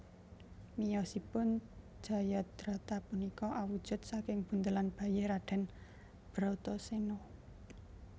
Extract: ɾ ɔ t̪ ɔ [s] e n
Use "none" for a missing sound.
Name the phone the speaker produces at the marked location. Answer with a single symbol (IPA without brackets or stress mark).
s